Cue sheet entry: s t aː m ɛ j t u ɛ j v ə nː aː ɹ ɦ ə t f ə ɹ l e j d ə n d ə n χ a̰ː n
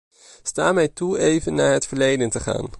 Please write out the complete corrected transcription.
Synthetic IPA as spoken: s t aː m ɛ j t u e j v ə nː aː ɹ ɦ ə t f ə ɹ l e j d ə n t ə χ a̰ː n